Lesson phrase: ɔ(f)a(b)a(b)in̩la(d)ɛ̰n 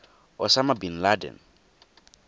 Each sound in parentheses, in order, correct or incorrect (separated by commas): incorrect, incorrect, correct, correct